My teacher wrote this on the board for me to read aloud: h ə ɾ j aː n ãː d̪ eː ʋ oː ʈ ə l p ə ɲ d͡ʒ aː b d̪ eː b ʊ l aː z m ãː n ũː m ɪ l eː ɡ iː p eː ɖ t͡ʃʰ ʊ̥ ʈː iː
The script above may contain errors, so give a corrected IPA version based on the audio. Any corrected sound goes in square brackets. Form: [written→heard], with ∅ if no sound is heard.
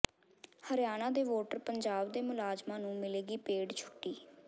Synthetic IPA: h ə ɾ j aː n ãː d̪ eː ʋ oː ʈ ə [l→ɾ] p ə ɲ d͡ʒ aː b d̪ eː [b→m] ʊ l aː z m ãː n ũː m ɪ l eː ɡ iː p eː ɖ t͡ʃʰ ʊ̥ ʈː iː

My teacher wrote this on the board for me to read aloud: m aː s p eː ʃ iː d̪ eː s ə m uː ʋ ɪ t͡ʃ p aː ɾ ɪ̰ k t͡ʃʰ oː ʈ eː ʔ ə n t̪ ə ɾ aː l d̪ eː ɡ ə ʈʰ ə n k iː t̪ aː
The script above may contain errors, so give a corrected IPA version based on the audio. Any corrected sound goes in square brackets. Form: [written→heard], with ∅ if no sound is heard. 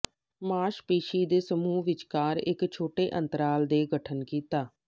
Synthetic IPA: m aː [s→ʃ] p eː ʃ iː d̪ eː s ə m uː ʋ ɪ t͡ʃ [p→k] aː ɾ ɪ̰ k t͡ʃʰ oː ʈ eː ʔ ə n t̪ ə ɾ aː l d̪ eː ɡ ə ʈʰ ə n k iː t̪ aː

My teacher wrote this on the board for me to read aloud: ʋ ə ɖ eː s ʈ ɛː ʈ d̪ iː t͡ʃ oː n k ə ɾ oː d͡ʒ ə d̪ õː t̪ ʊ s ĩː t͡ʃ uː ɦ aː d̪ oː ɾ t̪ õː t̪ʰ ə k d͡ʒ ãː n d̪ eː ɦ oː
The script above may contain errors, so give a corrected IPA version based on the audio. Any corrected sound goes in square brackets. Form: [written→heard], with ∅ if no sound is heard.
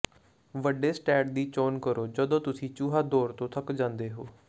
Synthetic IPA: ʋ ə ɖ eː s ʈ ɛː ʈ d̪ iː t͡ʃ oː n k ə ɾ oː d͡ʒ ə d̪ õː t̪ ʊ s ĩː t͡ʃ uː ɦ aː d̪ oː ɾ t̪ õː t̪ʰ ə k d͡ʒ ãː n d̪ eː ɦ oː

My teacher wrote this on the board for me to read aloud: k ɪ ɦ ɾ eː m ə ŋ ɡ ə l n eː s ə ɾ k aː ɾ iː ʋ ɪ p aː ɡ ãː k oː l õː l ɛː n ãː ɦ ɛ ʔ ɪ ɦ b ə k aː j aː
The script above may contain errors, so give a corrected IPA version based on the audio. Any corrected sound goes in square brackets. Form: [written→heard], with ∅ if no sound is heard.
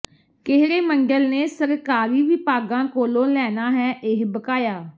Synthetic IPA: k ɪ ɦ ɾ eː m ə ŋ ɡ ə l n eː s ə ɾ k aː ɾ iː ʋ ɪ p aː ɡ ãː k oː l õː l ɛː n [ãː→aː] ɦ [ɛ→ɛː] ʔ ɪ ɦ b ə k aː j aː

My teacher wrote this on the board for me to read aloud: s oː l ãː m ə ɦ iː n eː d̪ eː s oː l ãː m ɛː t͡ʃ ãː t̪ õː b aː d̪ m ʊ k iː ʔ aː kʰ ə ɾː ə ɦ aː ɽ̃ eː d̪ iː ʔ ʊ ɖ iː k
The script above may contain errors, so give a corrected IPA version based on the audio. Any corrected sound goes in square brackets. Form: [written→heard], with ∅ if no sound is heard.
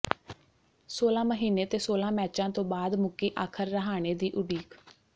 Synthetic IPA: s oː l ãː m ə ɦ iː n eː [d̪→t̪] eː s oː l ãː m ɛː t͡ʃ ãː t̪ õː b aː d̪ m ʊ k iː ʔ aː kʰ ə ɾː ə ɦ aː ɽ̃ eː d̪ iː ʔ ʊ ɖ iː k

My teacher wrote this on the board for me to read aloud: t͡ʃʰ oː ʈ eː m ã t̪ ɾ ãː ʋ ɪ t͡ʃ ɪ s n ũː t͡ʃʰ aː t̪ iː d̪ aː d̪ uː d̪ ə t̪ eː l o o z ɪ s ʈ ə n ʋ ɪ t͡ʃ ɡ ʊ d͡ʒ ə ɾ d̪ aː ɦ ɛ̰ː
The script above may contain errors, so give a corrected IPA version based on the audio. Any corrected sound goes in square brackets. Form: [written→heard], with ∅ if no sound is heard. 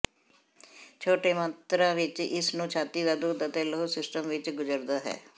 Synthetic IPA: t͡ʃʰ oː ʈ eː m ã t̪ ɾ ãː ʋ ɪ t͡ʃ ɪ s n ũː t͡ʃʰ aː t̪ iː d̪ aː d̪ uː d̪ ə t̪ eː l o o [z→s] ɪ s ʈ ə [n→m] ʋ ɪ t͡ʃ ɡ ʊ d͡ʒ ə ɾ d̪ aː ɦ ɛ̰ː

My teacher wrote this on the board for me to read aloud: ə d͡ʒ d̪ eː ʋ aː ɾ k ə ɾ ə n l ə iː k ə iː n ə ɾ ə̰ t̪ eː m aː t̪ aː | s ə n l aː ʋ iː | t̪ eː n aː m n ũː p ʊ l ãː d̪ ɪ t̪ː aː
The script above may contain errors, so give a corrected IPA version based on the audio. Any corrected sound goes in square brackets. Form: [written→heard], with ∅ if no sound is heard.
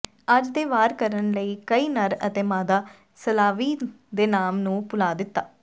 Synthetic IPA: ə d͡ʒ d̪ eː ʋ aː ɾ k ə ɾ ə n l ə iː k ə iː n ə ɾ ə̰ t̪ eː m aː [t̪→d̪] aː | s ə [n→∅] l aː ʋ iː | [t̪→d̪] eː n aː m n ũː p ʊ l [ãː→aː] d̪ ɪ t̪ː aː

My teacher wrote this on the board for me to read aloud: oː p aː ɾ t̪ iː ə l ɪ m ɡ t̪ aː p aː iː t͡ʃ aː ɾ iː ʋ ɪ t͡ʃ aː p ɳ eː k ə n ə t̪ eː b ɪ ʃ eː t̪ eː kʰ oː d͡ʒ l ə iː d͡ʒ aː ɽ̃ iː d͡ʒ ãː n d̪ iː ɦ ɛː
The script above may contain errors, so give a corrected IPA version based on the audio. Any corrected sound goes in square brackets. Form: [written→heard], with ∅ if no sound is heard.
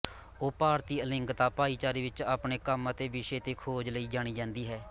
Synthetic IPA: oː p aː ɾ t̪ iː ə l ɪ [m→ŋ] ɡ t̪ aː p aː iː t͡ʃ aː ɾ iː ʋ ɪ t͡ʃ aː p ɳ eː k ə [n→m] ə t̪ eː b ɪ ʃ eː t̪ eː kʰ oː d͡ʒ l ə iː d͡ʒ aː ɽ̃ iː d͡ʒ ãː n d̪ iː ɦ ɛː

